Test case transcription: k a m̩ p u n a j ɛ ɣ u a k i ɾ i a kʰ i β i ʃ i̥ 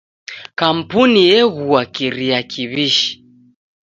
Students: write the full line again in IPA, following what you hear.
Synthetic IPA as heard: k a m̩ p u n i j ɛ ɣ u a k i ɾ i a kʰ i β i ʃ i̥